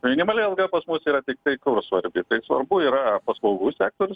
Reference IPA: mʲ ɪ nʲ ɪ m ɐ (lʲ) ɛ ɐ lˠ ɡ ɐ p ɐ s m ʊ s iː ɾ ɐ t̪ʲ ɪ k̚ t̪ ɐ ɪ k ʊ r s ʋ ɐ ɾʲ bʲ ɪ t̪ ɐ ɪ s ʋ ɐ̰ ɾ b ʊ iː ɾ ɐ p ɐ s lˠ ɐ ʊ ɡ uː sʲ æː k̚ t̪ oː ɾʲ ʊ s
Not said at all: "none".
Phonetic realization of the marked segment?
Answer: lʲ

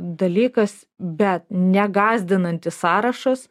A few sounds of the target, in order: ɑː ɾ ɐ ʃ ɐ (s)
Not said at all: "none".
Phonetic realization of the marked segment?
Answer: s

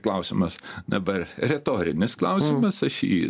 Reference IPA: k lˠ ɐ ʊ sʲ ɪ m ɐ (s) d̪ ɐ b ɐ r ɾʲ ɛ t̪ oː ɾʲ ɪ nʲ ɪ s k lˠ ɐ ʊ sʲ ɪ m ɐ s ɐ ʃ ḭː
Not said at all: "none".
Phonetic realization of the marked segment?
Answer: s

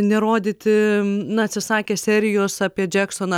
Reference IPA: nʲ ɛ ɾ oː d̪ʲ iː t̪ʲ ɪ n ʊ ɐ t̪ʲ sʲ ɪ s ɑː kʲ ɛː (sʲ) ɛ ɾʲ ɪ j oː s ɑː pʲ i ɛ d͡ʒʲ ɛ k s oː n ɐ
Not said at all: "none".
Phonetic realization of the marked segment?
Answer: sʲ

